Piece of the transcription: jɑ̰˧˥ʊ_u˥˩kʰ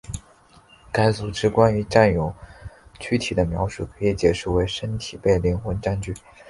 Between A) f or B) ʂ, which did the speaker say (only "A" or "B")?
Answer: B